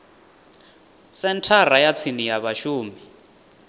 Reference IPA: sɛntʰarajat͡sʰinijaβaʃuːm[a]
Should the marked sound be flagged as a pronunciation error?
yes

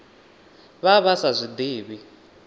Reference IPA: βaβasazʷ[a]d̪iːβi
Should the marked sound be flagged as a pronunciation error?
yes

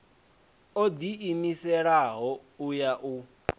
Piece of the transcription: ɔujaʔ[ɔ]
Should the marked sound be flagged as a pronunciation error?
yes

